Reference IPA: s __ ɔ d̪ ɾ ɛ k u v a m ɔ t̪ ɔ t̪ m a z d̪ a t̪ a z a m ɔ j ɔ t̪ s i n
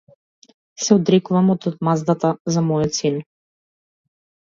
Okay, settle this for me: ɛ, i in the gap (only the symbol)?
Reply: ɛ